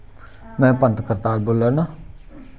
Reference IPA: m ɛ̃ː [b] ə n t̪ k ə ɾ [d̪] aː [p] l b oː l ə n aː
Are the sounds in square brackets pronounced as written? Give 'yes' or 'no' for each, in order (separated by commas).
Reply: no, no, no